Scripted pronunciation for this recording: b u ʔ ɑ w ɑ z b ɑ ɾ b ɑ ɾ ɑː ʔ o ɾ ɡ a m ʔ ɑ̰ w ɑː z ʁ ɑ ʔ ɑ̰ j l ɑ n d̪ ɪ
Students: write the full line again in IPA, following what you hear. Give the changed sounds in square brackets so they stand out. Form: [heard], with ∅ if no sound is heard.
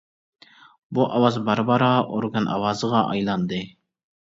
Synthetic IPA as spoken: b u ʔ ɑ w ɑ z b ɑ ɾ b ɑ ɾ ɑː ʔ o ɾ ɡ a [n] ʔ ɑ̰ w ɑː z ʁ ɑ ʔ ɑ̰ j l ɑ n d̪ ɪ